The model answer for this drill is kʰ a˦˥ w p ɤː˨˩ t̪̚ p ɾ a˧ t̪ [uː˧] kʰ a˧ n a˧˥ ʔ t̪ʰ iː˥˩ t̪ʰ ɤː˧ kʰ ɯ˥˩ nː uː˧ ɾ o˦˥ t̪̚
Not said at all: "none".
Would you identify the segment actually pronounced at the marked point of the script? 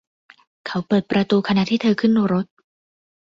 uː˧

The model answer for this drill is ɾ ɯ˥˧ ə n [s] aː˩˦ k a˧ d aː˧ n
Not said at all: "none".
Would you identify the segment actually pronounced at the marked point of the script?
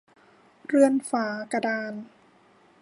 f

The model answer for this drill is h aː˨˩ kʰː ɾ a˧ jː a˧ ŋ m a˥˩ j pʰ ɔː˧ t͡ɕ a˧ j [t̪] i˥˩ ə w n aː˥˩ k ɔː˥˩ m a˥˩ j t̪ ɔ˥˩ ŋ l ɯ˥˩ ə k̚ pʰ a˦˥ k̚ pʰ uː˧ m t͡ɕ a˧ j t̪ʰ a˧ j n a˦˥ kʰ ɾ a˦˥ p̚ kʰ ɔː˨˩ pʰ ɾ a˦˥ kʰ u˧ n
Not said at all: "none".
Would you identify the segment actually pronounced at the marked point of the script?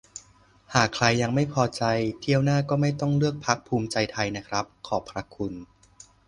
t̪ʰ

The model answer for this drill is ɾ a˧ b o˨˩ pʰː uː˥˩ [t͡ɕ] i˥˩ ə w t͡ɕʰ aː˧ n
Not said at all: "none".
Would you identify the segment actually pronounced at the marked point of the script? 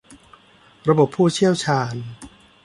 t͡ɕʰ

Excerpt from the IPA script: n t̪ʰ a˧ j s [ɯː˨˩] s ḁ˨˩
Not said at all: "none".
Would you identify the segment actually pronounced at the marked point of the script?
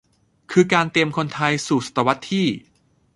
uː˨˩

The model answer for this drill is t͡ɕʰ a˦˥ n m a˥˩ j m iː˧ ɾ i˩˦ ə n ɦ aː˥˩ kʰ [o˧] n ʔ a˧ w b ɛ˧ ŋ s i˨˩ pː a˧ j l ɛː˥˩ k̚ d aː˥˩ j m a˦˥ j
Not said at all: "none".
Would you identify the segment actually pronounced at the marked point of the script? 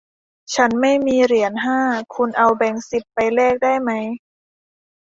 u˧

